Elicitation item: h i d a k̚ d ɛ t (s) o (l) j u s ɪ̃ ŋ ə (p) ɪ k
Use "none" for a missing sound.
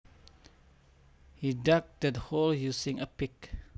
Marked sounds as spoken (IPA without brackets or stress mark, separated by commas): h, l, p